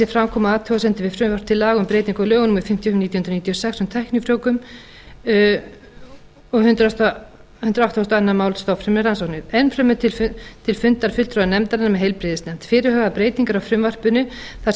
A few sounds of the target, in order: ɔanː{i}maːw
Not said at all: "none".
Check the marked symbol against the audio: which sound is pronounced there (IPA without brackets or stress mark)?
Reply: a